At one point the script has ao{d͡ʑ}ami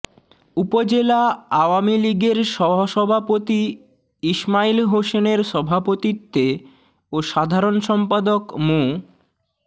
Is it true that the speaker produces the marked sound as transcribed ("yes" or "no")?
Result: no